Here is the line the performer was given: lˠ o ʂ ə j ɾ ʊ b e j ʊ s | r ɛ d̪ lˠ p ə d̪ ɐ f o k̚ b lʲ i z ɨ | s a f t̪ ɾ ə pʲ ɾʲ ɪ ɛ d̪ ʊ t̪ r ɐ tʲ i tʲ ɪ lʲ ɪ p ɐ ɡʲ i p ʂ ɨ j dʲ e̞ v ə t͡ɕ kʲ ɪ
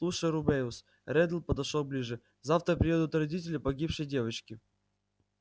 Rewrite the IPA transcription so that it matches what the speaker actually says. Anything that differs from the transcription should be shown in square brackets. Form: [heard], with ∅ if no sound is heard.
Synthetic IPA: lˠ [u] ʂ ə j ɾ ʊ b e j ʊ s | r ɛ d̪ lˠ p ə d̪ ɐ [ʂ] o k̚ b lʲ i [ʐ] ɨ | [z] a f t̪ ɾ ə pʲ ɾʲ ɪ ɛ d̪ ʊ t̪ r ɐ [dʲ] i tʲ ɪ lʲ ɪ p ɐ ɡʲ i p ʂ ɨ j dʲ e̞ v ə t͡ɕ kʲ ɪ